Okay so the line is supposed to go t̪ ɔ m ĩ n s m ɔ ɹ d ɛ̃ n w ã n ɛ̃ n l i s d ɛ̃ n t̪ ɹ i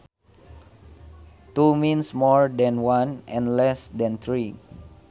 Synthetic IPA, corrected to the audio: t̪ u m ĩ n s m ɔ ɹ d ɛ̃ n w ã n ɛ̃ n l ɛ s d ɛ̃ n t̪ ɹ i